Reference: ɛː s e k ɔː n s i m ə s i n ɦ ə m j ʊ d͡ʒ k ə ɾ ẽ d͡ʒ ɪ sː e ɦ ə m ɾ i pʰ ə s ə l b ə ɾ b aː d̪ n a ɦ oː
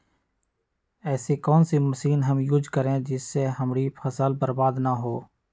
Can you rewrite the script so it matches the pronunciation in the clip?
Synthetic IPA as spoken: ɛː s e k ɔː n s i m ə s iː n ɦ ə m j ʊ d͡ʒ k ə ɾ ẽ d͡ʒ ɪ sː e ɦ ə m ɾ i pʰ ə s ə l b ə ɾ b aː d̪ n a ɦ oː